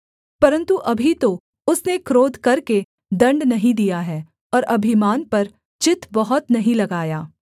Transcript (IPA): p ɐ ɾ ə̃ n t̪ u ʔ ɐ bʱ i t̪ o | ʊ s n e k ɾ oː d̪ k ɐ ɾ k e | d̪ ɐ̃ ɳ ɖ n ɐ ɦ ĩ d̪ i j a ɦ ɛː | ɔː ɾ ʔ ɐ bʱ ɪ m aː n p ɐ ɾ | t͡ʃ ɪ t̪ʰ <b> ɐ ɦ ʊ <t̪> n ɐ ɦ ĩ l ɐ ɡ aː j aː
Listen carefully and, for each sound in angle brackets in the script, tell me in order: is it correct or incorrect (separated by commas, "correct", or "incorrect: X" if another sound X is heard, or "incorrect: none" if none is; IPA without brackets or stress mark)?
correct, correct